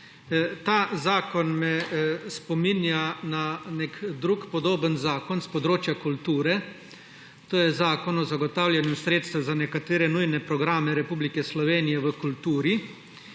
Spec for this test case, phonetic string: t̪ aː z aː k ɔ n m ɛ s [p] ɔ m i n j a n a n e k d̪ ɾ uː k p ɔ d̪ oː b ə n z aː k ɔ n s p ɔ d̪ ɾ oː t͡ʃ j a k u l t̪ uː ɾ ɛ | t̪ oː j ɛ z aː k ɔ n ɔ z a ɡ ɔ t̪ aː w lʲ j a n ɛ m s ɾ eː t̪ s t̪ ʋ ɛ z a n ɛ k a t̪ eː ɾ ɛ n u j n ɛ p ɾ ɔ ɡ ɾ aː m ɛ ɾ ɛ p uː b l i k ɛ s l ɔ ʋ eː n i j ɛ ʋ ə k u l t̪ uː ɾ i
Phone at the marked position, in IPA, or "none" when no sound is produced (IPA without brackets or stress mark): p